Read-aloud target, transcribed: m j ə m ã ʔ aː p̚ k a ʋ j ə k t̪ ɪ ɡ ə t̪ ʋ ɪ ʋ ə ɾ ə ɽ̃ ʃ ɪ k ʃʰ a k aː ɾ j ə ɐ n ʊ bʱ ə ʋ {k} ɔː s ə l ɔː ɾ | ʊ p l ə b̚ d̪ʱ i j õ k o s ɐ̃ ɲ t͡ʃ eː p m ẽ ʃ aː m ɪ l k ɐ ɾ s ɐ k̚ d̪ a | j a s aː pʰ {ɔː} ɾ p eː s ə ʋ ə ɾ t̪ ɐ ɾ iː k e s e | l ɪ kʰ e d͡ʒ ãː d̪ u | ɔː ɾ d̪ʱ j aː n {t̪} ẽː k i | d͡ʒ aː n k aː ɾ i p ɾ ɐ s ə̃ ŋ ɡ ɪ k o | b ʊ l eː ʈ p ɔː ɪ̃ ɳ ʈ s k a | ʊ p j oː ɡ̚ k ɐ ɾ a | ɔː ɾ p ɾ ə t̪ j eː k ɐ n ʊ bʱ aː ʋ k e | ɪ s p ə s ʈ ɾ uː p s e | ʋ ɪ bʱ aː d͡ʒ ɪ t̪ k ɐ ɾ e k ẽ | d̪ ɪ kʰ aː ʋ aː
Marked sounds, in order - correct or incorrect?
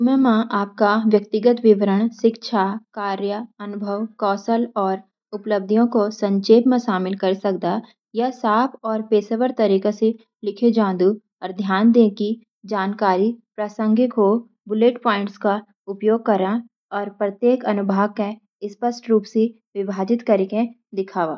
correct, correct, incorrect

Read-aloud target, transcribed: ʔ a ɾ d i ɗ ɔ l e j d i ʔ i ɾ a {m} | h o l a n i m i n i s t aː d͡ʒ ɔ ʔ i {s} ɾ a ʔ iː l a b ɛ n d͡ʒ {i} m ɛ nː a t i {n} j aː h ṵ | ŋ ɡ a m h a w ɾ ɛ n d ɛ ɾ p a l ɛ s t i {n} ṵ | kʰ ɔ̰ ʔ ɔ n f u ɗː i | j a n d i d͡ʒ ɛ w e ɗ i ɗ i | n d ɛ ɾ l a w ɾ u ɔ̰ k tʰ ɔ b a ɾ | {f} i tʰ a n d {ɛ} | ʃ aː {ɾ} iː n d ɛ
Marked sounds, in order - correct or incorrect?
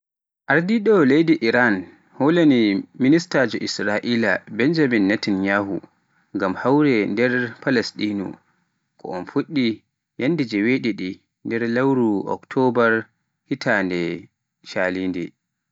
incorrect, correct, incorrect, correct, correct, incorrect, correct, incorrect

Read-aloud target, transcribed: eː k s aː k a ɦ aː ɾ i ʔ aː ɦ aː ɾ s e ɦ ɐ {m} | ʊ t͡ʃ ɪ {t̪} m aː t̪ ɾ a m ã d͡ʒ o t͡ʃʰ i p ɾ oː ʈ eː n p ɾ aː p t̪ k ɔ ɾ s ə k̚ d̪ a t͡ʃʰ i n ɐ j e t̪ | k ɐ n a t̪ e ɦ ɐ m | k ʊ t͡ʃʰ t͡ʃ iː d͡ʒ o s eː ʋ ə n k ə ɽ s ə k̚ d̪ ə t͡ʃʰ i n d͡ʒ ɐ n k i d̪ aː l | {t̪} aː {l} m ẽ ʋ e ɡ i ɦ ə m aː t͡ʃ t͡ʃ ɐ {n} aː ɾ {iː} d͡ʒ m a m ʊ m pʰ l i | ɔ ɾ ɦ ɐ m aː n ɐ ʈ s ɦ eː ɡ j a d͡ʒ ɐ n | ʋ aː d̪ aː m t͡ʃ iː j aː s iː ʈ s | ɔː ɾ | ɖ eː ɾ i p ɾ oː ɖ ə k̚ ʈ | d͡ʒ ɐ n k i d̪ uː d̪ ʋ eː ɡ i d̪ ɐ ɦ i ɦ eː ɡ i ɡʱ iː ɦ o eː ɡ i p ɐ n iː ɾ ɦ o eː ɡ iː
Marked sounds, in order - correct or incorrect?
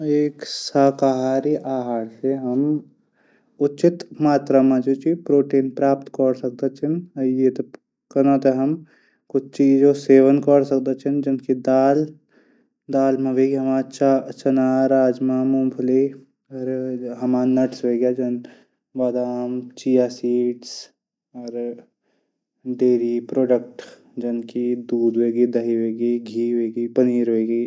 correct, correct, incorrect, correct, correct, incorrect

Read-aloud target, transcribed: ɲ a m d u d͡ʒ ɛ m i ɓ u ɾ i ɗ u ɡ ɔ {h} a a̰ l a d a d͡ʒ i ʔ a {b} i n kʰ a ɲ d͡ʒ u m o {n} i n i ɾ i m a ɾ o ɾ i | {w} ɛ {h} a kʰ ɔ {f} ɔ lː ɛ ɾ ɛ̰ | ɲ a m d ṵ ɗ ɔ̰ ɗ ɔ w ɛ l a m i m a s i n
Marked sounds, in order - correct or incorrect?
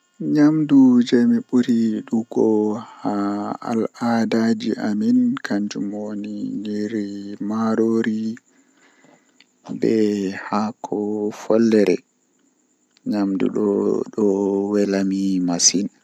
correct, incorrect, correct, incorrect, correct, correct

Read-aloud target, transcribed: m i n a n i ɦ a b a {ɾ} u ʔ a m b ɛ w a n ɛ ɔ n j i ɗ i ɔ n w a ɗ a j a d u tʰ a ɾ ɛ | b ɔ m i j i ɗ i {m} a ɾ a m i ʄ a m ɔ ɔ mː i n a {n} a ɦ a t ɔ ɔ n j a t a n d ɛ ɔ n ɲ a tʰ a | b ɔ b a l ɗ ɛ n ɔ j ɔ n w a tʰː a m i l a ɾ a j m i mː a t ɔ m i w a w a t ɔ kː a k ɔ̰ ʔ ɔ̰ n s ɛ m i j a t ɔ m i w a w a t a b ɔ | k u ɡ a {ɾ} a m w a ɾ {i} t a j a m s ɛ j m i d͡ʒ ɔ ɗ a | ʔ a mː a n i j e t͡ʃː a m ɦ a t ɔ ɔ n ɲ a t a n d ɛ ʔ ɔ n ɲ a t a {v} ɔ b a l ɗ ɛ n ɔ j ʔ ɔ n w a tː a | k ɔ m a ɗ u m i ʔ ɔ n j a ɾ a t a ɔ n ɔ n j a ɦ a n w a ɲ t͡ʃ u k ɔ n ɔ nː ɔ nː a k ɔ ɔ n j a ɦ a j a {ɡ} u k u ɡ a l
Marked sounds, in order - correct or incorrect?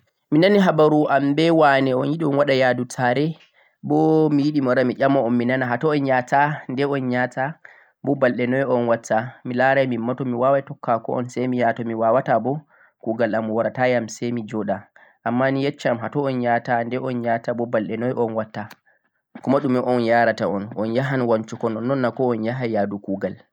correct, correct, correct, incorrect, incorrect, incorrect, incorrect

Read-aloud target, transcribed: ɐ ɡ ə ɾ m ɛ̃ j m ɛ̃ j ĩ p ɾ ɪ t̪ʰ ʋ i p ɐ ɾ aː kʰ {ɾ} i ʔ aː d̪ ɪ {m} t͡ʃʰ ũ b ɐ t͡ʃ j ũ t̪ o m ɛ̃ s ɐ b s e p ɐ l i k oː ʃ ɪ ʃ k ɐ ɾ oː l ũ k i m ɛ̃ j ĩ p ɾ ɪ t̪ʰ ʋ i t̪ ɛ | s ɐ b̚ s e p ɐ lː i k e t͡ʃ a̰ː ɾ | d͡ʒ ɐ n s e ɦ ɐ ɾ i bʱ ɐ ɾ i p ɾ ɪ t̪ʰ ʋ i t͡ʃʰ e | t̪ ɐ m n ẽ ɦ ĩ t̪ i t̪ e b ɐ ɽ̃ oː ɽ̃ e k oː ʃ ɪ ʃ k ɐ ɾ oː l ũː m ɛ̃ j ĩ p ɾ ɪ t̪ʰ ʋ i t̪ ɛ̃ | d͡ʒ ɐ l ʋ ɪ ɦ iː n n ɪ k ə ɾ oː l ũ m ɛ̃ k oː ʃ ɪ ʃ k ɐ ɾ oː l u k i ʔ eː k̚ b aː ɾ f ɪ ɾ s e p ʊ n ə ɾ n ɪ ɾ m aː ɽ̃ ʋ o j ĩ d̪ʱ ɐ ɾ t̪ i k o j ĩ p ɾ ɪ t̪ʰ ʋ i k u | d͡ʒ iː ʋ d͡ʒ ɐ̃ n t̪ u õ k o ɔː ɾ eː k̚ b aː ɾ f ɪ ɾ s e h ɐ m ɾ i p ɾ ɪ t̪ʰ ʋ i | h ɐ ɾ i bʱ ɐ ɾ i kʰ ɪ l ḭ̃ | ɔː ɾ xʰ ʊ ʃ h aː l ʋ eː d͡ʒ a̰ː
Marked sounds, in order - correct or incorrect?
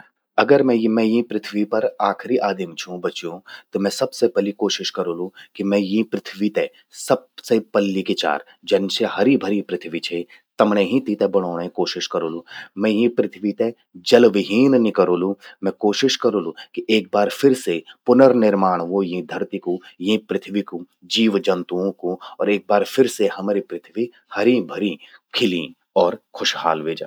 correct, correct

